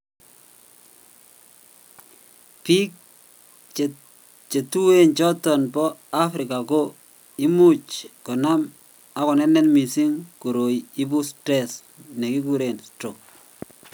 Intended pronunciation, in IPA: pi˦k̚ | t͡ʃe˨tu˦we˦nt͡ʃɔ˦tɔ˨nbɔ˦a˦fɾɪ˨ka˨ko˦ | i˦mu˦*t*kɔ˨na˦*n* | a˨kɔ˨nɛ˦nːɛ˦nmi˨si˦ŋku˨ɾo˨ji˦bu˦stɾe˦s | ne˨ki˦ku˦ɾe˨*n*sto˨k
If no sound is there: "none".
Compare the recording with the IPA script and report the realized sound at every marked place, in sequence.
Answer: t͡ʃ, m, n

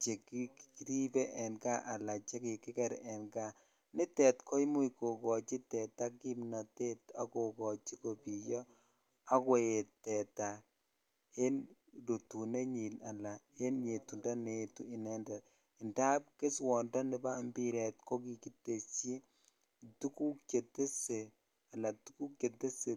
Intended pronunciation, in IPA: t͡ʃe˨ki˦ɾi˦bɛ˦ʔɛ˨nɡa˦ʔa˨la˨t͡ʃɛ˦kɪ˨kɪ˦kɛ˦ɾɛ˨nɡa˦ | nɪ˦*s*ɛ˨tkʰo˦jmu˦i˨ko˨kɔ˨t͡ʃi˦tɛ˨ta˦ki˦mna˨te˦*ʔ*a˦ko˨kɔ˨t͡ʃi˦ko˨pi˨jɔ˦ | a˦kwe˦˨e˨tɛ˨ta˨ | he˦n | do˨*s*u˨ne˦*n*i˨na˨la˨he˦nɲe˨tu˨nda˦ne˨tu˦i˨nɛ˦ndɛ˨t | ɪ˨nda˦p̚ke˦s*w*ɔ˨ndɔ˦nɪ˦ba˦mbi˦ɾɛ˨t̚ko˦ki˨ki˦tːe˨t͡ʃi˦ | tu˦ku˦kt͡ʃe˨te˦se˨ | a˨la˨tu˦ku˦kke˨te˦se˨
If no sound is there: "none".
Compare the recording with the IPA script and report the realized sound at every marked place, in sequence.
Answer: t, t, t, ɲ, w

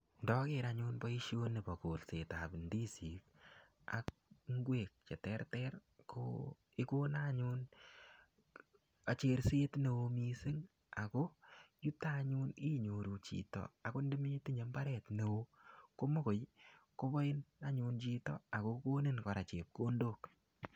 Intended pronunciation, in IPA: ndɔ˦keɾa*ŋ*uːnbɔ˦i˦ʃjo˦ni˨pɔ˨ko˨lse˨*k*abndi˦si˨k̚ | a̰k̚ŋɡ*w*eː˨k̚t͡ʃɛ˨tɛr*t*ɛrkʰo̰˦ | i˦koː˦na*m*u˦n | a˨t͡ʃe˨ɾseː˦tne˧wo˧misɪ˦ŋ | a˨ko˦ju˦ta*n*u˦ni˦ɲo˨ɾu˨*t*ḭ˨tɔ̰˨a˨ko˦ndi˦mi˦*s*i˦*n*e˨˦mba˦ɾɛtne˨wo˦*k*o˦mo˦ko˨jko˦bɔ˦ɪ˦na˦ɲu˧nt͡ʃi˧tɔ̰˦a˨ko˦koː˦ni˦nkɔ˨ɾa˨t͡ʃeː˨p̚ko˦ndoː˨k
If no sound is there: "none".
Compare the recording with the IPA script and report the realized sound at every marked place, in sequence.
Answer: ɲ, t, w, t, ɲ, ɲ, t͡ʃ, t, ɲ, k

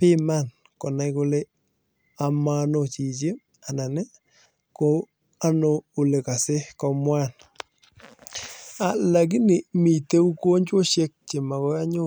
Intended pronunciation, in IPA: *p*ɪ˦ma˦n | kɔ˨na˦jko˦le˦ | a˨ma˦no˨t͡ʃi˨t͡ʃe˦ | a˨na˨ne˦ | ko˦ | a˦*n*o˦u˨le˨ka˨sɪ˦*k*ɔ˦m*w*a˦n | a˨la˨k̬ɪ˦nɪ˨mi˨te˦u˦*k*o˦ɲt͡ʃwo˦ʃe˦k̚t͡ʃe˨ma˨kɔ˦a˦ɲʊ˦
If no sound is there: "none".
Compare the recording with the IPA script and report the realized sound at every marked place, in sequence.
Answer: p, n, k, w, k

